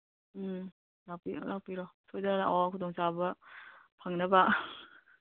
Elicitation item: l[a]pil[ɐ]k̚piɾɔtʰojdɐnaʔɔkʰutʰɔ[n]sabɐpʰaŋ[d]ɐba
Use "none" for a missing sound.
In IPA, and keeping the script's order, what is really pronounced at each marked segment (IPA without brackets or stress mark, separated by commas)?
a, a, ŋ, n